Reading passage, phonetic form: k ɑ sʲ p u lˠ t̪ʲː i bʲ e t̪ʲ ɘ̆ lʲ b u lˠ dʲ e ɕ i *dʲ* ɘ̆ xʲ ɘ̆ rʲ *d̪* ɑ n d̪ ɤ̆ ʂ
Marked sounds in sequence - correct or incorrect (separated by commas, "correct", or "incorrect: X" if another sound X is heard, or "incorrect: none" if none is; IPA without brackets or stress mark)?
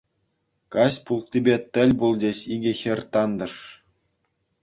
incorrect: ɡʲ, incorrect: t̪